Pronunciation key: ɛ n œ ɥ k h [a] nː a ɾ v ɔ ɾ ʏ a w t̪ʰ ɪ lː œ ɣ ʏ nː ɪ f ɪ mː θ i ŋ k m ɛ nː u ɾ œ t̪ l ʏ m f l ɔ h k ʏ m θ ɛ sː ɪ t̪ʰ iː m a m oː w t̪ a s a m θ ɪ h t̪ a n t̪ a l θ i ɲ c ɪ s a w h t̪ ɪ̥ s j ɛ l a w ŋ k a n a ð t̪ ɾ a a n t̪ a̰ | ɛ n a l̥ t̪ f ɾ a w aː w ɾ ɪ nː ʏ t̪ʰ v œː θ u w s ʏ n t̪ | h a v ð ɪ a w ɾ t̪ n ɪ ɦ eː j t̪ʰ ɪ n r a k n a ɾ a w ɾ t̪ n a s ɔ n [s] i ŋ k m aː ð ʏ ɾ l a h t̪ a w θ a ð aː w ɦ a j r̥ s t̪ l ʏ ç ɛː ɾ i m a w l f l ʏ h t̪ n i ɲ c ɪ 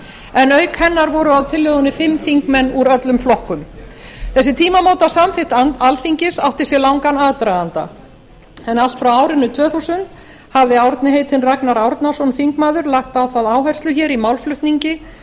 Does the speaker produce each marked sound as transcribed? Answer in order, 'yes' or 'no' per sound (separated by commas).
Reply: no, no